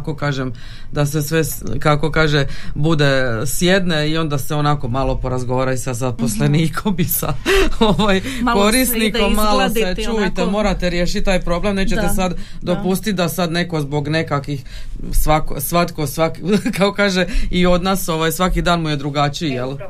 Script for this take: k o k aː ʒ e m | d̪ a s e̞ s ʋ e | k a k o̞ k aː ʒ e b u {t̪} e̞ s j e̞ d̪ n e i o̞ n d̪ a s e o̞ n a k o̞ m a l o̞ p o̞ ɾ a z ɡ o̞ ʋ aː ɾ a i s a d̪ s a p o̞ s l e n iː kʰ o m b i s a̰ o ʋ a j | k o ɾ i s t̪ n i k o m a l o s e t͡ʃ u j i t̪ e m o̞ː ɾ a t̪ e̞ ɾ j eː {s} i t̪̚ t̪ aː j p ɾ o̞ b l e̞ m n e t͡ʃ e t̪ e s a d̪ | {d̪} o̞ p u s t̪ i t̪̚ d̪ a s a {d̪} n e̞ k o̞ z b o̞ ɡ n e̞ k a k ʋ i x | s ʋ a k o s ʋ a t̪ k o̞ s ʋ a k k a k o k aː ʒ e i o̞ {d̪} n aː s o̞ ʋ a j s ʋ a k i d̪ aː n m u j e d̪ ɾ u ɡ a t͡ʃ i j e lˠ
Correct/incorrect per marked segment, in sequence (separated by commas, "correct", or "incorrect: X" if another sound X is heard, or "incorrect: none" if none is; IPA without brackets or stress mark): incorrect: d̪, incorrect: ʃ, correct, correct, correct